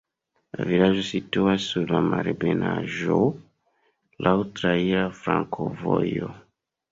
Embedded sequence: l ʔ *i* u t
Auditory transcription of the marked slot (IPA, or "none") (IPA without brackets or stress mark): a